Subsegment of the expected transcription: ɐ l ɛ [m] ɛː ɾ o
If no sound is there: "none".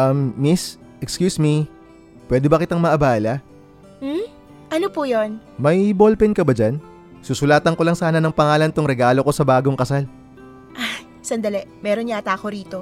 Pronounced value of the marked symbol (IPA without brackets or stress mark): m